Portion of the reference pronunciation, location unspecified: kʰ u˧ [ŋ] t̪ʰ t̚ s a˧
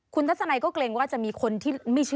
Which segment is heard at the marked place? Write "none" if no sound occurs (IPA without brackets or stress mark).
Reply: n